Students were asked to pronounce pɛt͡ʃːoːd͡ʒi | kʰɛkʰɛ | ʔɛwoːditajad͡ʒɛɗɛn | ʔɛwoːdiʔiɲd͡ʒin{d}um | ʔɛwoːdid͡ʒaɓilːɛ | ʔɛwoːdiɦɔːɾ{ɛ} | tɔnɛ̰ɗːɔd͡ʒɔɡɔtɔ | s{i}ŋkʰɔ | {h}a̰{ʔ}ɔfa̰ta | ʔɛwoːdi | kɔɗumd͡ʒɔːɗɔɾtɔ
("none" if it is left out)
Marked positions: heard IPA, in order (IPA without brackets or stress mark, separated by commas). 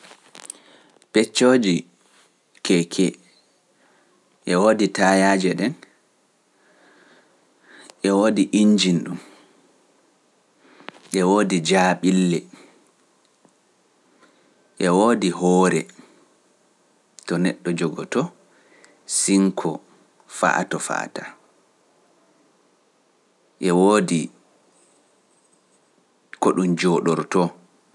ɗ, ɛ, i, f, t